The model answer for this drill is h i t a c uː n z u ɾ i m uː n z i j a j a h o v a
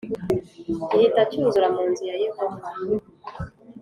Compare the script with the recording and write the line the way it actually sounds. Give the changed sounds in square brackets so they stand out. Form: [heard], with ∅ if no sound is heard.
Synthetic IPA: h i t a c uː n z u ɾ [a] m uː n z i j a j [e] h o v a

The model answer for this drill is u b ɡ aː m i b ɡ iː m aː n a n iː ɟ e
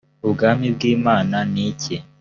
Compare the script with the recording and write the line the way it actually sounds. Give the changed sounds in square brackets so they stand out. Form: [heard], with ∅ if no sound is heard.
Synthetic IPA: u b ɡ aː m i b ɡ iː m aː n a n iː [c] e

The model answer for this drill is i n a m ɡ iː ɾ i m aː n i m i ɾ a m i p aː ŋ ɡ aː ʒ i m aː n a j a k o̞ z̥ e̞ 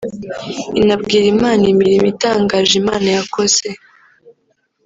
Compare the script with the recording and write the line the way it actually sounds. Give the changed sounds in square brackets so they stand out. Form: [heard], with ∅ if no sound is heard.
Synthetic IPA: i n a [b] ɡ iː ɾ i m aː n i m i ɾ [i] m i [t] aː ŋ ɡ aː ʒ i m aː n a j a k o̞ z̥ e̞

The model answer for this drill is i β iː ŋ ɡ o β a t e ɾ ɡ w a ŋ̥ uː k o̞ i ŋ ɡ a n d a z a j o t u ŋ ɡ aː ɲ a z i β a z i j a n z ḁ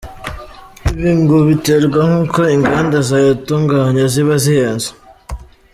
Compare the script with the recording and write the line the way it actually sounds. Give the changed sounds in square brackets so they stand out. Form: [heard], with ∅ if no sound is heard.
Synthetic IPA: i β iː ŋ ɡ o β [i] t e ɾ ɡ w a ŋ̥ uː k o̞ i ŋ ɡ a n d a z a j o t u ŋ ɡ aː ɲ a z i β a z i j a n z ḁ

